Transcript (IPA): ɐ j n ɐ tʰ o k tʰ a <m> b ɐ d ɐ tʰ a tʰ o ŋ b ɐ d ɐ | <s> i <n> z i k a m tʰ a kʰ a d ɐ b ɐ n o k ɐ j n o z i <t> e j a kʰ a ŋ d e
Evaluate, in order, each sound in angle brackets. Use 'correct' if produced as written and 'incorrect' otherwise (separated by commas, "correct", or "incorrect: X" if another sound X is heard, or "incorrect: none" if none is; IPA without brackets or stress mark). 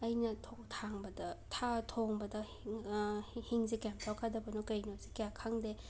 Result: incorrect: ŋ, incorrect: h, incorrect: ŋ, incorrect: k